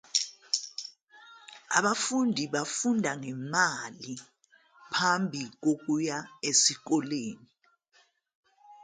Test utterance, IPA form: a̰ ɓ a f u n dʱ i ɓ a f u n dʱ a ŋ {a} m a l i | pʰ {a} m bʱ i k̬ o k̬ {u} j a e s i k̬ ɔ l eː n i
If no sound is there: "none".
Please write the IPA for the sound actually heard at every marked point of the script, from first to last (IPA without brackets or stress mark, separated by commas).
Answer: ɛ, a, u